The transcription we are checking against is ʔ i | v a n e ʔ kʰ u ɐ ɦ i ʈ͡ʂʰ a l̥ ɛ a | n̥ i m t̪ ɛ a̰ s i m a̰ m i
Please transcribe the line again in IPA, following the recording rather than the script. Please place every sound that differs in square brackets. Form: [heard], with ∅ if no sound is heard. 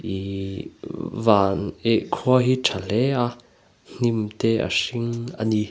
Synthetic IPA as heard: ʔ i | v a n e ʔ kʰ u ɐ ɦ i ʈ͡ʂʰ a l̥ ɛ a | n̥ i m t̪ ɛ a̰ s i [ŋ] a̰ [n] i